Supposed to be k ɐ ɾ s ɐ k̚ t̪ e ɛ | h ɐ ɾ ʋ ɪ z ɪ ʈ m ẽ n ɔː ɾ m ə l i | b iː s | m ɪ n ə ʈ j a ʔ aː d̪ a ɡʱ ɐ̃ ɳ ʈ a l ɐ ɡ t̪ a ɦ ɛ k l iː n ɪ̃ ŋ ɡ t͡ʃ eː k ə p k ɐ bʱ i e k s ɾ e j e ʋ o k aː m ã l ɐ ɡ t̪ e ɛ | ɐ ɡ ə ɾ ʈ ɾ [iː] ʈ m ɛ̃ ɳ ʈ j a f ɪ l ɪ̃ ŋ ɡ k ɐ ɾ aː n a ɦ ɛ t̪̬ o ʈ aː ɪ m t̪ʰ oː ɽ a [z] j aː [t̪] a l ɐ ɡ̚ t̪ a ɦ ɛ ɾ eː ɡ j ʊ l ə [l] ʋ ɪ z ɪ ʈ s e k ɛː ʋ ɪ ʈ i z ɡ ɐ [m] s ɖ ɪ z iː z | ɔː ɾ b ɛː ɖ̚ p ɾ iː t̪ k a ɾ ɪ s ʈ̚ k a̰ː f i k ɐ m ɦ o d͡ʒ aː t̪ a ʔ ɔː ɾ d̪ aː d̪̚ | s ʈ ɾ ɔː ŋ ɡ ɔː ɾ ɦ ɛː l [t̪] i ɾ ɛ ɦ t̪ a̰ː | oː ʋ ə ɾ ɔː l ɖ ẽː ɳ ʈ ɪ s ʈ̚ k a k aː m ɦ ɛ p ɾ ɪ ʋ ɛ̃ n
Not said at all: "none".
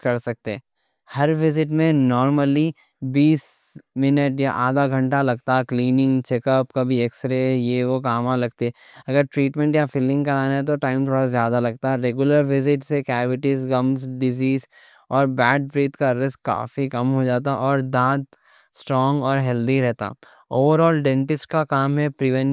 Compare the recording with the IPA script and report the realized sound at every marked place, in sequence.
iː, z, d̪, ɾ, m, d̪

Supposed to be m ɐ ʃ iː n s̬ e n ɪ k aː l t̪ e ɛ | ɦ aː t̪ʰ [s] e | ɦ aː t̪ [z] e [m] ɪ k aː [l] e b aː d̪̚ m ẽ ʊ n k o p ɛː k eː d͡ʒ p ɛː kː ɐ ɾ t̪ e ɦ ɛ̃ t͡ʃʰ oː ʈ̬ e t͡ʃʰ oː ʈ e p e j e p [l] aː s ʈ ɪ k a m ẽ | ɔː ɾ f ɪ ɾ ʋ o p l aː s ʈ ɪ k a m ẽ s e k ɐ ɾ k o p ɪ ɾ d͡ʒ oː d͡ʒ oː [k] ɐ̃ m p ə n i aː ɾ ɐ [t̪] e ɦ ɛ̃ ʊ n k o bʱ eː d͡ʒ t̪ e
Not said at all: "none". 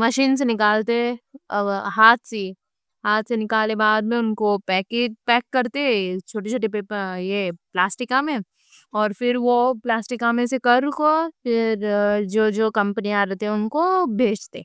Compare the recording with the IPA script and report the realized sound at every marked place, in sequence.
s, s, n, l, l, k, t̪

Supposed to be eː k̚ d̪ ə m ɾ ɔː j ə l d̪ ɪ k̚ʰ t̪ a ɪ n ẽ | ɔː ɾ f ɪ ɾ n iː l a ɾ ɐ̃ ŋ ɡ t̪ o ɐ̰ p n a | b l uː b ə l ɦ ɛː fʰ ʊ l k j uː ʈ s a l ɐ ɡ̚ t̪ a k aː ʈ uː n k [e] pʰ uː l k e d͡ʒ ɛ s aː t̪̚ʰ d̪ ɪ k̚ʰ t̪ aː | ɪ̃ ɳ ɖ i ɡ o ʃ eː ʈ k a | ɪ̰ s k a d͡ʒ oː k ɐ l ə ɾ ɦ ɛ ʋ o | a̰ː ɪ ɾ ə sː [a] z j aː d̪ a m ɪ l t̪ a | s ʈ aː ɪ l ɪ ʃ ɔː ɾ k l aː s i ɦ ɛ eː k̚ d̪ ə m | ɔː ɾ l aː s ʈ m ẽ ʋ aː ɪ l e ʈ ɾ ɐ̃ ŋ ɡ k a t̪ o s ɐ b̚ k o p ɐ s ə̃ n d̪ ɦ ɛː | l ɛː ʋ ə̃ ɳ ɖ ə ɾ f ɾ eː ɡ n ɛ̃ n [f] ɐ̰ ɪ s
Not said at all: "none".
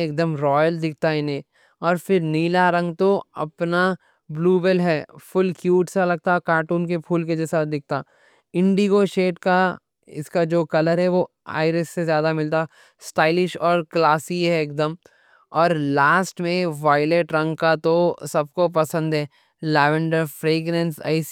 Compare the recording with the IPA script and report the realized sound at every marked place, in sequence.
e, e, s

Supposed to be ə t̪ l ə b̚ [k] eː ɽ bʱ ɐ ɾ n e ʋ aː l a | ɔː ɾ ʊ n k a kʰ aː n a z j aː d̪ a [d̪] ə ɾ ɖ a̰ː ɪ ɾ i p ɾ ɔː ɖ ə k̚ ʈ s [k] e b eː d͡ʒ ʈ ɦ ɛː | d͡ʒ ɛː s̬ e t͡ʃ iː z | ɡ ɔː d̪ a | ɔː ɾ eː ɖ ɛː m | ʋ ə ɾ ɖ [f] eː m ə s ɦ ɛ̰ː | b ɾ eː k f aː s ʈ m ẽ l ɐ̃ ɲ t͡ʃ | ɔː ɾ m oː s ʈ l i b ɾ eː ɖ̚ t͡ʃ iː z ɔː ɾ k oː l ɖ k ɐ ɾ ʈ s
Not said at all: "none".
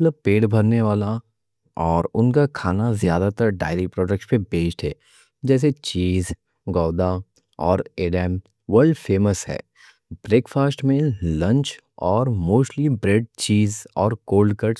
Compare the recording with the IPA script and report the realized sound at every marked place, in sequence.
p, t̪, p, f

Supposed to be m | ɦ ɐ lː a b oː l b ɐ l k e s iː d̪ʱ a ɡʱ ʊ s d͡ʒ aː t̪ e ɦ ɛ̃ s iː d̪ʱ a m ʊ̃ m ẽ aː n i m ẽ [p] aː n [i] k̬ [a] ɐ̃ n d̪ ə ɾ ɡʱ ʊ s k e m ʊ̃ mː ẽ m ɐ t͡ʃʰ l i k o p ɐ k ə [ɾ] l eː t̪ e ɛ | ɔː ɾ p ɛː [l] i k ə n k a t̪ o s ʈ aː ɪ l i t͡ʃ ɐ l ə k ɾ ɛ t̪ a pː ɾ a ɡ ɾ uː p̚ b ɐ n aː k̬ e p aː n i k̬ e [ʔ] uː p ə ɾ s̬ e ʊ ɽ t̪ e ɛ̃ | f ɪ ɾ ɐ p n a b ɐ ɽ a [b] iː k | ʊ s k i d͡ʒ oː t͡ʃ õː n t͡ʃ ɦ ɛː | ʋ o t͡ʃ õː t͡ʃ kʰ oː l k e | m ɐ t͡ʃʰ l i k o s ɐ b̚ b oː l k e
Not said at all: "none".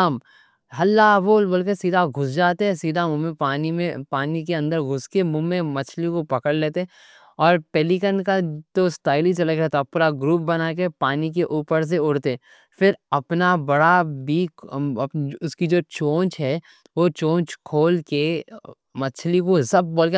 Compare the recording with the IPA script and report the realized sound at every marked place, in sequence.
p, i, e, ɽ, l, ʔ, b

